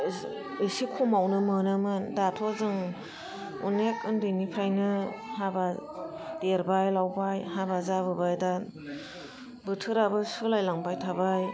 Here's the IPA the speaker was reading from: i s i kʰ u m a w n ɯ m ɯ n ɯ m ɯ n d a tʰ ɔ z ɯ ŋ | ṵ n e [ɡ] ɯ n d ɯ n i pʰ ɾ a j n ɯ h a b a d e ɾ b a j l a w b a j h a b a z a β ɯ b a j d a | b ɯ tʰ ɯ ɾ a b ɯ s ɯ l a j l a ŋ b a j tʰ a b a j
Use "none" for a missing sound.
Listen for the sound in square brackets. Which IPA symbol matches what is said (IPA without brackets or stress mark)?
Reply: k